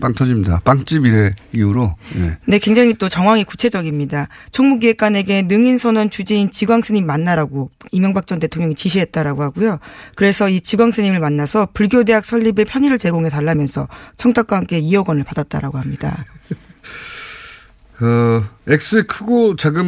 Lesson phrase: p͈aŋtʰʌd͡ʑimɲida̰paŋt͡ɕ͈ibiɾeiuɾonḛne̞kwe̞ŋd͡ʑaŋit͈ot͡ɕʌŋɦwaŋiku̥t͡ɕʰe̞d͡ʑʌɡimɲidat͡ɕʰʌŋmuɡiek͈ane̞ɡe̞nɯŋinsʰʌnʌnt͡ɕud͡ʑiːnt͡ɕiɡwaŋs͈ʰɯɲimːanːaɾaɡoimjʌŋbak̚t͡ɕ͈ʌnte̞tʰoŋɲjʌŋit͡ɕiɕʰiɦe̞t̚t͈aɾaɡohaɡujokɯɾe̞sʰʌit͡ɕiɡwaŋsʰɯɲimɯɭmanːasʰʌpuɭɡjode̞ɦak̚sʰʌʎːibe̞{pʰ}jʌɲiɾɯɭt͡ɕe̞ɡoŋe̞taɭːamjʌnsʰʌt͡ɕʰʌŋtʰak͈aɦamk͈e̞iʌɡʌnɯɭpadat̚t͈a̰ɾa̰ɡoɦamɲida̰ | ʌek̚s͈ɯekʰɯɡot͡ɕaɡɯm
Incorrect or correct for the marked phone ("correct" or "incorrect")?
correct